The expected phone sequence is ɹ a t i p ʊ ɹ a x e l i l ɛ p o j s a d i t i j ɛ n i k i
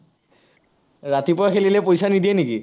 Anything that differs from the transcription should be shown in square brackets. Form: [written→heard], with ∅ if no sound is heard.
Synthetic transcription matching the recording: ɹ a t i p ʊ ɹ a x e l i l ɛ p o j s a [d→n] i [t→d] i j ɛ n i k i